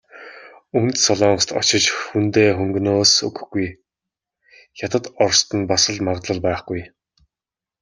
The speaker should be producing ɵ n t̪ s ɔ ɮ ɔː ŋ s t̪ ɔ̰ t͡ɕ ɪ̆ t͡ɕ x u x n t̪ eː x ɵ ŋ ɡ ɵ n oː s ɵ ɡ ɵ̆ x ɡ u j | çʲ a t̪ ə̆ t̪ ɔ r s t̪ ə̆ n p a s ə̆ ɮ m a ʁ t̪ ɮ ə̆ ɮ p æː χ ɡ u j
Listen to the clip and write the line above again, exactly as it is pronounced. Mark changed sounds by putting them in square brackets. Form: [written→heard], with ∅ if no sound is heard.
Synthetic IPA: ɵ n t̪ s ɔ ɮ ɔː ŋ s t̪ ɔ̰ t͡ɕ ɪ̆ t͡ɕ x u [x→∅] n t̪ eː x ɵ ŋ ɡ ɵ n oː s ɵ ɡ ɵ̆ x ɡ u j | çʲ a t̪ ə̆ t̪ ɔ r s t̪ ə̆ n p a s ə̆ ɮ m a ʁ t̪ ɮ ə̆ ɮ p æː χ ɡ u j